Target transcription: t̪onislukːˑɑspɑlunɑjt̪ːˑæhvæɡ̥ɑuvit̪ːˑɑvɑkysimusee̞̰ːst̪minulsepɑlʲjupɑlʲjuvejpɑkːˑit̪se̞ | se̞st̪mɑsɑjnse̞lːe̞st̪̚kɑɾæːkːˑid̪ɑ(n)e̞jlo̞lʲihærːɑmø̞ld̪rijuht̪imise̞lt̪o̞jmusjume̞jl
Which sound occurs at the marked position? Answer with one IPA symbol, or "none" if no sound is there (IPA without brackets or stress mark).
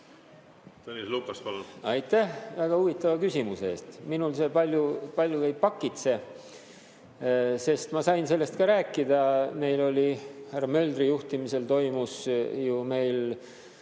m